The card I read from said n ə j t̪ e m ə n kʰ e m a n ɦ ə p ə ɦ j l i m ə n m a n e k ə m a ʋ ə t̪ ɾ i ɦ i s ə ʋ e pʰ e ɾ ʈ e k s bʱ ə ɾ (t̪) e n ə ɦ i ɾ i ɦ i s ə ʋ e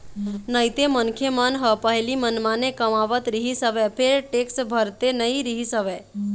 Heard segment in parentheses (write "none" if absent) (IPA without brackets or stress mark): t̪